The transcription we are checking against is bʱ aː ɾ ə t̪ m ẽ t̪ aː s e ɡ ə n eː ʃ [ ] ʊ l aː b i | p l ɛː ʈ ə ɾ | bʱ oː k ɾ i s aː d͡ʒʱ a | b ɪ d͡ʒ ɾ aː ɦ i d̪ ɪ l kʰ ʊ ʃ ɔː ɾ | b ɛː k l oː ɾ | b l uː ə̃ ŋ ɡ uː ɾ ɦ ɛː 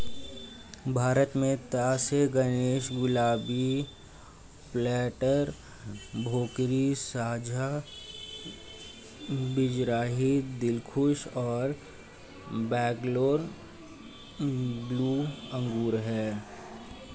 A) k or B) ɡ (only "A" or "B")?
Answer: B